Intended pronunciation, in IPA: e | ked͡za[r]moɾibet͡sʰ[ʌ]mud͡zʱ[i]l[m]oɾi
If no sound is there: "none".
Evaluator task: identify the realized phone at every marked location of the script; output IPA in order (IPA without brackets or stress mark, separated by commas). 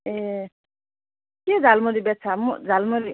l, a, a, m